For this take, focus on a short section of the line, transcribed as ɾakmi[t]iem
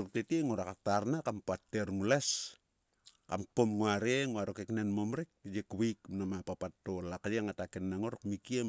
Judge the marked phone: incorrect: k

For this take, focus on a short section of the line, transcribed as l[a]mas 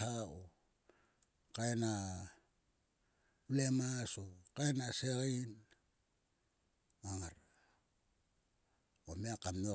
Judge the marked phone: incorrect: e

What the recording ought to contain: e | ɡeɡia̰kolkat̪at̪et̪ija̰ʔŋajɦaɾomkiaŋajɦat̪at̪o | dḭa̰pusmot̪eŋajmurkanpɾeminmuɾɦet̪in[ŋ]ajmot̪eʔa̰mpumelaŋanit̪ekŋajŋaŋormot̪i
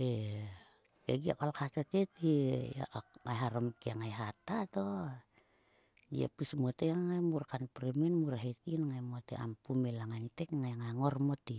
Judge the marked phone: correct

